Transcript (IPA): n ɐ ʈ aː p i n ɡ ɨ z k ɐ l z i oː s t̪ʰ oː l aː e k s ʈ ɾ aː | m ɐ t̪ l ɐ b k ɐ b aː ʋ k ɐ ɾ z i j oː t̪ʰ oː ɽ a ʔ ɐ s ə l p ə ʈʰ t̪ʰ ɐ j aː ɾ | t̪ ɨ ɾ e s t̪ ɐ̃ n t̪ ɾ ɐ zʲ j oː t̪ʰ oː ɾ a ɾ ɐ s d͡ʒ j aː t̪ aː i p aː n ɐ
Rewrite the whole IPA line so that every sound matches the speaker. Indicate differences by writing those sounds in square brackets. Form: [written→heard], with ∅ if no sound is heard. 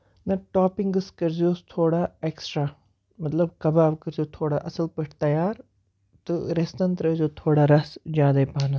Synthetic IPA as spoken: n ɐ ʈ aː p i [n→ŋ] ɡ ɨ [z→s] k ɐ [l→ɾ] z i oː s t̪ʰ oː [l→ɽ] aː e k s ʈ ɾ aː | m ɐ t̪ l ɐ b k ɐ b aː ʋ k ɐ ɾ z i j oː t̪ʰ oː ɽ a ʔ ɐ s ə l p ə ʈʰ [t̪ʰ→t̪] ɐ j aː ɾ | t̪ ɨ ɾ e s t̪ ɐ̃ n t̪ ɾ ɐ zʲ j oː t̪ʰ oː [ɾ→ɽ] a ɾ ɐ s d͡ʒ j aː [t̪→d̪] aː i p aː n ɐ